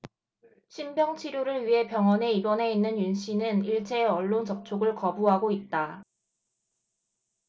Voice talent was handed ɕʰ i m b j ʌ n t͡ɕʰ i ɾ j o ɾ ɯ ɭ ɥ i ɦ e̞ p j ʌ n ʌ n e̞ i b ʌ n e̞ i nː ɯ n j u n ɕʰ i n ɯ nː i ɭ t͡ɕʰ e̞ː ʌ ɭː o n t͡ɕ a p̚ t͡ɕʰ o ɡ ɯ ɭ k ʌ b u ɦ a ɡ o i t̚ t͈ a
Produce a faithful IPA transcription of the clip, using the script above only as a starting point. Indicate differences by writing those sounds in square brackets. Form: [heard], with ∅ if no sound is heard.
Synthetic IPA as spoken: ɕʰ i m b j ʌ [ŋ] t͡ɕʰ i ɾ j o ɾ ɯ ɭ ɥ i ɦ e̞ p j ʌ [ŋ] ʌ n e̞ i b ʌ n e̞ i nː ɯ n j u n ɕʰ i n ɯ [n] i ɭ t͡ɕʰ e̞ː ʌ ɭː o n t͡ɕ [ʌ] p̚ t͡ɕʰ o ɡ ɯ ɭ k ʌ b u ɦ a ɡ o i t̚ t͈ a